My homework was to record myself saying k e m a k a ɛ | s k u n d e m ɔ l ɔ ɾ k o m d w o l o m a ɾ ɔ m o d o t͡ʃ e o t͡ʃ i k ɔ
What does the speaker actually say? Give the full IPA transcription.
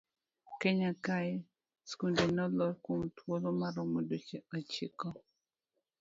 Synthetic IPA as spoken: k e ɲ a k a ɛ | s k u n d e n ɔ l ɔ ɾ k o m t w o l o m a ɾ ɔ m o d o t͡ʃ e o t͡ʃ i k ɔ